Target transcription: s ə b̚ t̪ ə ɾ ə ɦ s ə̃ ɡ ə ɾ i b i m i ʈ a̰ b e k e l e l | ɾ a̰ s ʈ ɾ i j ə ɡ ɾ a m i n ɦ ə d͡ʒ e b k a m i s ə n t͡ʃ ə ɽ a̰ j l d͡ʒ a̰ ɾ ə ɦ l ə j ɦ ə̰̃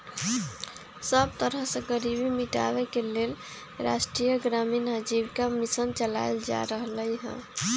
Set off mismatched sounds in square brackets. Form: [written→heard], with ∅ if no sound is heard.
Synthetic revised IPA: s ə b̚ t̪ ə ɾ ə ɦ s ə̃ ɡ ə ɾ i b i m i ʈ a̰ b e k e l e l | ɾ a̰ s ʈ ɾ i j ə ɡ ɾ a m i n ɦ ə d͡ʒ [e→i] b k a m i s ə n t͡ʃ ə [ɽ→l] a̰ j l d͡ʒ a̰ ɾ ə ɦ l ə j ɦ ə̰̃